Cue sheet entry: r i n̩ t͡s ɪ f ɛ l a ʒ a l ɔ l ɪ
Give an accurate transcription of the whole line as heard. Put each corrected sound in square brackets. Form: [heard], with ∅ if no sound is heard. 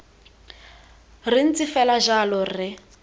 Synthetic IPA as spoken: r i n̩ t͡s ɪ f ɛ l a ʒ a l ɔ [r] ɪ